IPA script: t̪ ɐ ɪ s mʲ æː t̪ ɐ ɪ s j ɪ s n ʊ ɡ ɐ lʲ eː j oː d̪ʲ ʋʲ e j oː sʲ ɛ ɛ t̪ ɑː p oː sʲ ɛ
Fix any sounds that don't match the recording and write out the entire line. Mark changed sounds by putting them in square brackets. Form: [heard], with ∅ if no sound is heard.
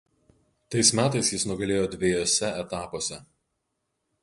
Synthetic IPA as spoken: t̪ ɐ ɪ s mʲ æː t̪ ɐ ɪ s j ɪ s n ʊ ɡ ɐ lʲ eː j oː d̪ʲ ʋʲ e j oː sʲ ɛ ɛ t̪ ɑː p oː sʲ ɛ